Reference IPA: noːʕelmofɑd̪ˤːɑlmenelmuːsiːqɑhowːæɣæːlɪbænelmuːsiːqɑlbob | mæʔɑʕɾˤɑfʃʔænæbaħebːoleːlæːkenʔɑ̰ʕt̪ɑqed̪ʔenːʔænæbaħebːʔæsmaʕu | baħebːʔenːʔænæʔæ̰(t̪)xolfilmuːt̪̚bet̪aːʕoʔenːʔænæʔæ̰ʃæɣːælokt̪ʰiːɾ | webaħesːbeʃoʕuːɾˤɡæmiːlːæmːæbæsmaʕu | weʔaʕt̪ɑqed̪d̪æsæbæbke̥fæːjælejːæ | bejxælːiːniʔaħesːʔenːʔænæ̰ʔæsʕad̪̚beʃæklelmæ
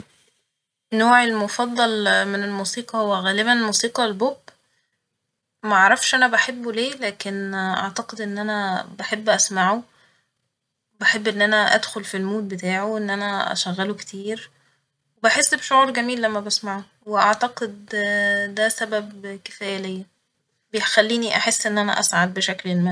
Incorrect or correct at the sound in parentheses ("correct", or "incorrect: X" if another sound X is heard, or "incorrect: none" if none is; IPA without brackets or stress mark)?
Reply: incorrect: d̪